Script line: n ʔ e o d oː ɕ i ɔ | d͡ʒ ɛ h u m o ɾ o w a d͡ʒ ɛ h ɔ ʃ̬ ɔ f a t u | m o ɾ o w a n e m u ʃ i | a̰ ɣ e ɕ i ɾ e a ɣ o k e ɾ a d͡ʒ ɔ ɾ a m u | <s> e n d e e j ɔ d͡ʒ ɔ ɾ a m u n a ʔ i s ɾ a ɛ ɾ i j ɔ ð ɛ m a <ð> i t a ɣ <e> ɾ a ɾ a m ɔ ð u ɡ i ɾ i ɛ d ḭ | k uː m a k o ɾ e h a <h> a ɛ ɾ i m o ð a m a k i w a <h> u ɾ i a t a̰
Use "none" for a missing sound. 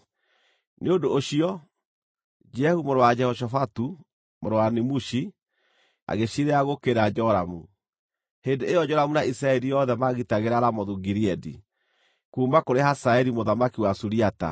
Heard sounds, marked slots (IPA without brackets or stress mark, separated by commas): h, ɣ, e, s, s